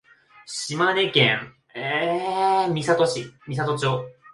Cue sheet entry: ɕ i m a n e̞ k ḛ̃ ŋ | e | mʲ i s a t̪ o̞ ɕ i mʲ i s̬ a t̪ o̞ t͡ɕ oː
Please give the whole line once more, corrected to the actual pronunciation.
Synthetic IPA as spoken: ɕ i m a n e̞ k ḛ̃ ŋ | e | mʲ i s a t̪ o̞ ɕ i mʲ i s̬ a t̪ o̞ t͡ɕ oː

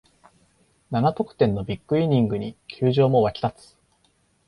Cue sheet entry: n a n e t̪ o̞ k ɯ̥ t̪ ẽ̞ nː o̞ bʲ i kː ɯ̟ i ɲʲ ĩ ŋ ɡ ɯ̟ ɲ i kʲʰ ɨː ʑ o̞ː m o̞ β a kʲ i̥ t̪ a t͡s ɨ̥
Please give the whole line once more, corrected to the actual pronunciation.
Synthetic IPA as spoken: n a n a t̪ o̞ k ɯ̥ t̪ ẽ̞ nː o̞ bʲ i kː ɯ̟ i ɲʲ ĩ ŋ ɡ ɯ̟ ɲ i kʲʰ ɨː ʑ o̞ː m o̞ β a kʲ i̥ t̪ a t͡s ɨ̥

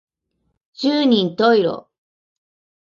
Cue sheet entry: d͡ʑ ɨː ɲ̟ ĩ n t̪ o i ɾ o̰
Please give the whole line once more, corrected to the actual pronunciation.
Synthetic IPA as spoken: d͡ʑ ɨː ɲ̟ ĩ n t̪ o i ɾ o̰

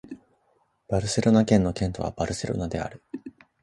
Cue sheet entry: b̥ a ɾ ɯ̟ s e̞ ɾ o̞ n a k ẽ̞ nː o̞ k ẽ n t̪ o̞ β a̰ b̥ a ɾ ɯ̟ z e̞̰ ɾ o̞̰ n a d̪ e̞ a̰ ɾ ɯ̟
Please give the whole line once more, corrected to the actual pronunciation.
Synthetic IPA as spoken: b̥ a ɾ ɯ̟ s e̞ ɾ o̞ n a k ẽ̞ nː o̞ k ẽ n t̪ o̞ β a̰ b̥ a ɾ ɯ̟ s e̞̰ ɾ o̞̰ n a d̪ e̞ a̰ ɾ ɯ̟

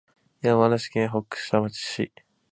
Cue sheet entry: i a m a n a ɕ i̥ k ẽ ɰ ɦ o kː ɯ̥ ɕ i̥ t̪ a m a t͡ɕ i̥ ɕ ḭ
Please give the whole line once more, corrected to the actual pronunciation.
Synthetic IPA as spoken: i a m a n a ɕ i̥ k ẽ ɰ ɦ o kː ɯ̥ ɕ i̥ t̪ a m a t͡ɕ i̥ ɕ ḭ

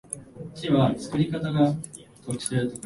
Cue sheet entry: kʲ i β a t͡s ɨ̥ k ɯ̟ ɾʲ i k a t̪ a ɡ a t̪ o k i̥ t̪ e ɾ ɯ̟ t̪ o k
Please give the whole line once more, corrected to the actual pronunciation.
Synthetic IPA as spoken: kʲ i β a t͡s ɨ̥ k ɯ̟ ɾʲ i k a t̪ a ɡ a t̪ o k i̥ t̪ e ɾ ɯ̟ t̪ o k

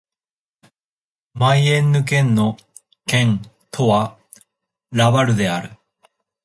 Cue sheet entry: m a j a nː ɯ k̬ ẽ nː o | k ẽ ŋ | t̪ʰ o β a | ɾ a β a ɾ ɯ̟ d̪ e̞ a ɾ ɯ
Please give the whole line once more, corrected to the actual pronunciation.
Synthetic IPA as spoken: m a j e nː ɯ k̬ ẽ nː o | k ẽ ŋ | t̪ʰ o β a | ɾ a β a ɾ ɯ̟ d̪ e̞ a ɾ ɯ

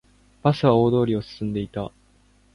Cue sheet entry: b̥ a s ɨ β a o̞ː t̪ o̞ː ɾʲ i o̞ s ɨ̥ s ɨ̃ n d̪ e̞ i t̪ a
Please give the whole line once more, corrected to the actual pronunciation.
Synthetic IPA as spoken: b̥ a s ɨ β a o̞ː d̪ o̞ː ɾʲ i o̞ s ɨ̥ s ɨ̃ n d̪ e̞ i t̪ a

